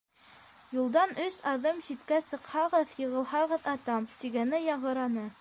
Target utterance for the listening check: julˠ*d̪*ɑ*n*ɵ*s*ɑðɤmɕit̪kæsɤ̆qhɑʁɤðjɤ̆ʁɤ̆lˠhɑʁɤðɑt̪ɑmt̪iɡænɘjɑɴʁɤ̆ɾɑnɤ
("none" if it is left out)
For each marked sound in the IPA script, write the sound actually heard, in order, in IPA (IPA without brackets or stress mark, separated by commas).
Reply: d̪, n, s